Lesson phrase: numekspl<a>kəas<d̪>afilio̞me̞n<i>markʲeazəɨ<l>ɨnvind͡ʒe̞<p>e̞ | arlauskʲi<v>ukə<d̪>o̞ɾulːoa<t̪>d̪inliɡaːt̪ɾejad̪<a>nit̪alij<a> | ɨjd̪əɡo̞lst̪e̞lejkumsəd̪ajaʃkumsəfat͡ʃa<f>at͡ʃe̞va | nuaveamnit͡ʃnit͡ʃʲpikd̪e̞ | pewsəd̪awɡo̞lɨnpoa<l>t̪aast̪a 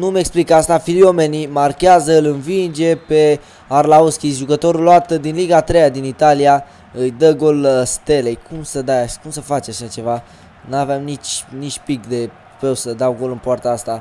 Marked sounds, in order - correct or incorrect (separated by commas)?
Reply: incorrect, incorrect, correct, correct, correct, incorrect, incorrect, correct, incorrect, correct, incorrect, incorrect